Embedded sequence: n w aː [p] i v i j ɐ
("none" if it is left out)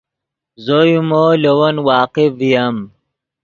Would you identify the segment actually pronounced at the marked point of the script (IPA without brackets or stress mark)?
q